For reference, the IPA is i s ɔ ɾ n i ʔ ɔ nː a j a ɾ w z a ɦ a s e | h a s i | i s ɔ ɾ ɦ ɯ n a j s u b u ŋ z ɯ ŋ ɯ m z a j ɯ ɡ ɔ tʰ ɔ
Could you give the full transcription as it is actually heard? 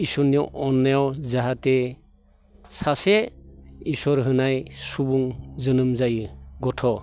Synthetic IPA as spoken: i s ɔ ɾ n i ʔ ɔ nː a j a w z a ɦ a t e | s a s e | i s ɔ ɾ ɦ ɯ n a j s u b u ŋ z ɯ n ɯ m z a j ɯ ɡ ɔ tʰ ɔ

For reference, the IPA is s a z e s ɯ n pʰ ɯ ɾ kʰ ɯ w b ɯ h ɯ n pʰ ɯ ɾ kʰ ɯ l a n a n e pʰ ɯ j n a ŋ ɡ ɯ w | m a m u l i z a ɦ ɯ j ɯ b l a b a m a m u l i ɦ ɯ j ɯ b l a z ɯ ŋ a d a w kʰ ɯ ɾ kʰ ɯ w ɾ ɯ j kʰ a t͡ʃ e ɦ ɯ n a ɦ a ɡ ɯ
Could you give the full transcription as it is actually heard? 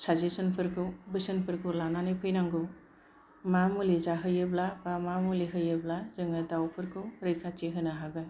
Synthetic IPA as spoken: s a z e s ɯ n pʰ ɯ ɾ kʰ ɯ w b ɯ s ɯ n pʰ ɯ ɾ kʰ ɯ l a n a n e pʰ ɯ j n a ŋ ɡ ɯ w | m a m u l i z a ɦ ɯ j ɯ b l a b a m a m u l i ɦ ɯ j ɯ b l a z ɯ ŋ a d a w pʰ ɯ ɾ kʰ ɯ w ɾ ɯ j kʰ a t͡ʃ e ɦ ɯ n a ɦ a ɡ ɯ

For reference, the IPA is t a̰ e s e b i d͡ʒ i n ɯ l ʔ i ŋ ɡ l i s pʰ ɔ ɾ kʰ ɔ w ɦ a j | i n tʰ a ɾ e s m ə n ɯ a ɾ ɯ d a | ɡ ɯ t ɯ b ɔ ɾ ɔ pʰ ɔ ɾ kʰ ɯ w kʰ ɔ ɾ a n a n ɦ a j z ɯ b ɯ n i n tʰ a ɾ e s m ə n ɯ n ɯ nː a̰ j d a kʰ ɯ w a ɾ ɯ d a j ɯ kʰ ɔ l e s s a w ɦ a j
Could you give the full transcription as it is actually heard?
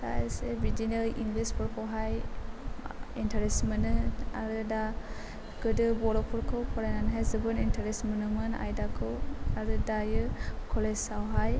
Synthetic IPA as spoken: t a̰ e s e b i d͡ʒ i n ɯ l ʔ i ŋ ɡ l i s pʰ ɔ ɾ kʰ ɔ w ɦ a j | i n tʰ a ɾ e s m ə n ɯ a ɾ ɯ d a | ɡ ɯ d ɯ b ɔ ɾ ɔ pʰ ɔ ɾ kʰ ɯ w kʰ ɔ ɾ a n a n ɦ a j z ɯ b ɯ n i n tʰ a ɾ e s m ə n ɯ m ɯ n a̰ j d a kʰ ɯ w a ɾ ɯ d a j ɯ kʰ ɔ l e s s a w ɦ a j

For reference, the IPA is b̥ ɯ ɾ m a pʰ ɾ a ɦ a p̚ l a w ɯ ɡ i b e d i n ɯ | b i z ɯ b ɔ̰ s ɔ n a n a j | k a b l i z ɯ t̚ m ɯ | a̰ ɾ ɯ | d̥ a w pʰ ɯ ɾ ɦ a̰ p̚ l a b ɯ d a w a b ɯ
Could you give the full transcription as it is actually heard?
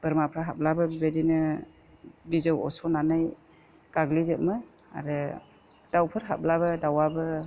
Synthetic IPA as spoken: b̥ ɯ ɾ m a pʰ ɾ a ɦ a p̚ l a b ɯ b i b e d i n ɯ | b i z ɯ w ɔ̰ s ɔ n a n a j | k a ɡ l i z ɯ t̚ m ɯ | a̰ ɾ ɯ | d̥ a w pʰ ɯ ɾ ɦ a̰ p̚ l a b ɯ d a w a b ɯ

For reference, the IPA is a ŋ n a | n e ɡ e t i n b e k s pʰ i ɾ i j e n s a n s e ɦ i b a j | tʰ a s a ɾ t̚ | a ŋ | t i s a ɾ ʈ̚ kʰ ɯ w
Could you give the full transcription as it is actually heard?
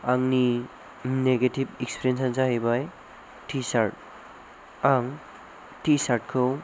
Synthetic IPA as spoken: a ŋ n i | n e ɡ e t i b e k s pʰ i ɾ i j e n s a n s a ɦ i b a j | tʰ i s a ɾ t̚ | a ŋ | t i s a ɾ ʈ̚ kʰ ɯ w

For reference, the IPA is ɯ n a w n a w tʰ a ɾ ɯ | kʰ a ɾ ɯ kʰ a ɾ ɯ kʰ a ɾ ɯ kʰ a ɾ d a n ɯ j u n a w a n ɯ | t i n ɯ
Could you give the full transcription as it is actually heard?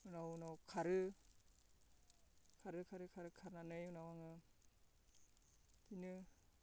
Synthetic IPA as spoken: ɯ n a w n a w kʰ a ɾ ɯ | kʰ a ɾ ɯ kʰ a ɾ ɯ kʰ a ɾ ɯ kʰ a ɾ n a n ɯ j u n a w a ŋ ɯ | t i n ɯ

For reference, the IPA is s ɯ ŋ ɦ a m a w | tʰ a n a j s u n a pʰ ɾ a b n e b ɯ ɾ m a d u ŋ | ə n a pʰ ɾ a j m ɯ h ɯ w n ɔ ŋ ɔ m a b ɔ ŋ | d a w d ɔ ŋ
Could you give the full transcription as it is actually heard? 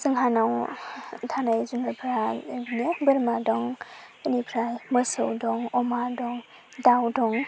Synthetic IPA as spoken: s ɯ ŋ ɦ a n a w | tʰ a n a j z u n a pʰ ɾ a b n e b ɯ ɾ m a d ɔ ŋ | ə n i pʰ ɾ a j m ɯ s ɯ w d ɔ ŋ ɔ m a d ɔ ŋ | d a w d ɔ ŋ

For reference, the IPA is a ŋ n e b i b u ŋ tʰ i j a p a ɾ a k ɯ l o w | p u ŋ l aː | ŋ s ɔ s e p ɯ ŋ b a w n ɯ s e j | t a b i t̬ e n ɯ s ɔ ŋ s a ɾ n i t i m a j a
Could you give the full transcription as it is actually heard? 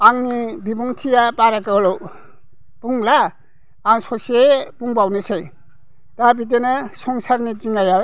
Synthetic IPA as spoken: a ŋ n i b i b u ŋ tʰ i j a p a ɾ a k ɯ l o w | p u ŋ l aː | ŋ s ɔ s e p u ŋ b a w n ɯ s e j | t a b i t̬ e n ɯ s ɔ ŋ s a ɾ n i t i ŋ a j a

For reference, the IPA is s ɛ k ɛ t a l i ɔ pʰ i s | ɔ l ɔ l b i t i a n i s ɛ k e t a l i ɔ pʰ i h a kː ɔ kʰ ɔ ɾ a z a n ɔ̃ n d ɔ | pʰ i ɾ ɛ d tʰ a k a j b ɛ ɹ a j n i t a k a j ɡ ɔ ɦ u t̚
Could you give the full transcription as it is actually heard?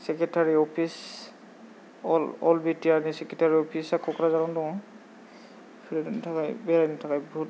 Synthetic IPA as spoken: s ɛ k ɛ t a ɹ i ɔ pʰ i s | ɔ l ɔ l b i t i a n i s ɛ k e t a ɹ i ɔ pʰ i s a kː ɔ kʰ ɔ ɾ a z a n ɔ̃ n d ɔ | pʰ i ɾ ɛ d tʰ a k a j b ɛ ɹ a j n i tʰ a k a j b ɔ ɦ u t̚

